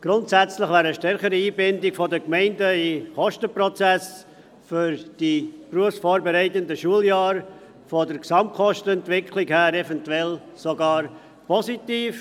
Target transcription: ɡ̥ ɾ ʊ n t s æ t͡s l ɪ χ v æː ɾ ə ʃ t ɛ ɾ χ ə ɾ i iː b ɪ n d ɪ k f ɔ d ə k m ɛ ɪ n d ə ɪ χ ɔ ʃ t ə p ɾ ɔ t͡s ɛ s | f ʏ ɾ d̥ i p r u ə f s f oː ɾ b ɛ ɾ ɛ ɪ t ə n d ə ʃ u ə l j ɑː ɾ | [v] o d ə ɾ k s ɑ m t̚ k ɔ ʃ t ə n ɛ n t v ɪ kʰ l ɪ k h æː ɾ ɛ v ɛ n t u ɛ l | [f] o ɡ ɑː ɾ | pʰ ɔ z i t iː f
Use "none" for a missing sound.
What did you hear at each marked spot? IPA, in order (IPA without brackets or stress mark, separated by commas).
f, s